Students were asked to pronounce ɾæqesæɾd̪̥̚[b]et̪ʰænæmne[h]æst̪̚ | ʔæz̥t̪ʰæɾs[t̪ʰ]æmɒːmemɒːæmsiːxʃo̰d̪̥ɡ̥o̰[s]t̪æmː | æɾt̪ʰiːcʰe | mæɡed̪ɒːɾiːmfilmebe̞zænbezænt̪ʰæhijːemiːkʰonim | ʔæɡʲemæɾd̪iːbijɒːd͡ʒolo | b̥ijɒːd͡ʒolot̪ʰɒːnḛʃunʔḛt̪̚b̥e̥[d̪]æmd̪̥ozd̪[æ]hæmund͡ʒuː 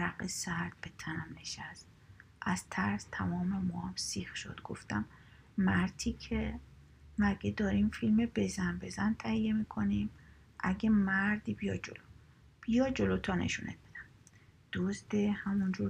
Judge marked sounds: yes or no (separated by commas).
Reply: yes, no, yes, no, yes, no